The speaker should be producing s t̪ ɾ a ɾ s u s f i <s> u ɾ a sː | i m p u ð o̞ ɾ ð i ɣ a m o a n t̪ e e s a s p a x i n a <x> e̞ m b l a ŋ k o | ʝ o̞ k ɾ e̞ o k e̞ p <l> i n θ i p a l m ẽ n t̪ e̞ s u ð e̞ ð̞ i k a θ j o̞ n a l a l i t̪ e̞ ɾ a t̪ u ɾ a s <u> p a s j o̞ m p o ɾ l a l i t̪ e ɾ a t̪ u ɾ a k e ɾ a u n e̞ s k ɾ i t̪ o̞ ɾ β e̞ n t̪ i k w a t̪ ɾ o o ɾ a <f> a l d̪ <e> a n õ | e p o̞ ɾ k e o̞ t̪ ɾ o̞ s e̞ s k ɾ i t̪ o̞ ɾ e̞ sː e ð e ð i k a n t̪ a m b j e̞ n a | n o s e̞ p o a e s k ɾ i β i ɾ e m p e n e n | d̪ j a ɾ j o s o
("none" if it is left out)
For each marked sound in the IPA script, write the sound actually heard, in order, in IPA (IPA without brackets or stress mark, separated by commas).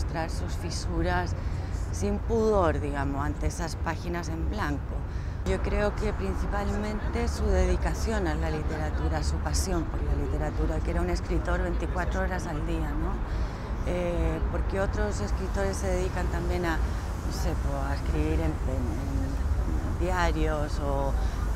s, s, ɾ, u, s, i